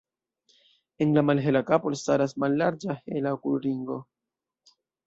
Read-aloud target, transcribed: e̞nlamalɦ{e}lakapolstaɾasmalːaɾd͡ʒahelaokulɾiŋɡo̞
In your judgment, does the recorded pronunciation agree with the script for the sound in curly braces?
yes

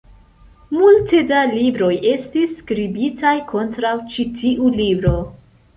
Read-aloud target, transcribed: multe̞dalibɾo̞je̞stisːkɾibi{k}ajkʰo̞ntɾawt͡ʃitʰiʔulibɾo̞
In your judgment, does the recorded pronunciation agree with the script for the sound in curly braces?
no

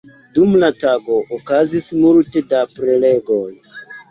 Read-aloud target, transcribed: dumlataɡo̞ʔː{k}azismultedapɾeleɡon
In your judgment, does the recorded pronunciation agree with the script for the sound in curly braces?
yes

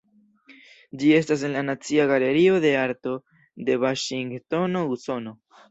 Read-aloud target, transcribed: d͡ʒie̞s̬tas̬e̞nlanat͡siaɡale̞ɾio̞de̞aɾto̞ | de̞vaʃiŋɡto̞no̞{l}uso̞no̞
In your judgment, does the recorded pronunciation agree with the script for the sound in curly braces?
no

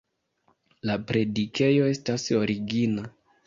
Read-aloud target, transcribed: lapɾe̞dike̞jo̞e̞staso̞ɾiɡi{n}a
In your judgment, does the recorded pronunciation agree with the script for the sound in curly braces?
yes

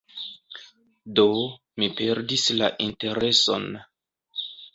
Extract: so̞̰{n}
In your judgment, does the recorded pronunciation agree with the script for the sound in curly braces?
yes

